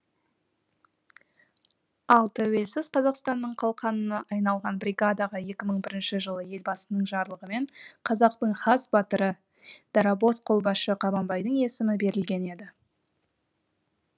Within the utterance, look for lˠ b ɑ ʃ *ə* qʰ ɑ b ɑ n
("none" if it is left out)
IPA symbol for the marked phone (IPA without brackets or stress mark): ə